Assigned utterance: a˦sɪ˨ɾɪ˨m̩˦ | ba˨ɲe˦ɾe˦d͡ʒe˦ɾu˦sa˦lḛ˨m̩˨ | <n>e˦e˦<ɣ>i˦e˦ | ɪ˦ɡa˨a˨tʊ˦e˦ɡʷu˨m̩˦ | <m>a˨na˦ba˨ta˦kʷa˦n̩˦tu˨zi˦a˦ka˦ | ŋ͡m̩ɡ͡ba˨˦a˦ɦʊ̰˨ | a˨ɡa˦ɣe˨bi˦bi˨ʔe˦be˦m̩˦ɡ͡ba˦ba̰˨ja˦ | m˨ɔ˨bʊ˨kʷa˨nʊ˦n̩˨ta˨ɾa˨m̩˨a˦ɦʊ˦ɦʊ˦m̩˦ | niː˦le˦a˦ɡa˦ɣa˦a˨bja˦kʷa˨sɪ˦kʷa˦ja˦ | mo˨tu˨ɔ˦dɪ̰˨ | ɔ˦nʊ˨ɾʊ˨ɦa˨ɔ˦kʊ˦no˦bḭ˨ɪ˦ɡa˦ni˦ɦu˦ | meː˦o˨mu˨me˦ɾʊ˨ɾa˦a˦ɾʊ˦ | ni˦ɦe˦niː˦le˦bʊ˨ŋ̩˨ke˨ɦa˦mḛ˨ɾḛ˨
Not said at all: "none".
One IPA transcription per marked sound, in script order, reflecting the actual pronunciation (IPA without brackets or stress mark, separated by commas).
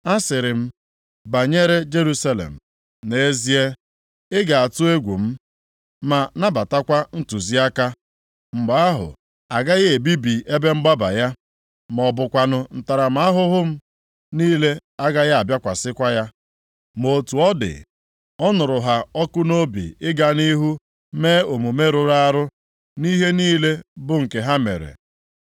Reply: n, z, m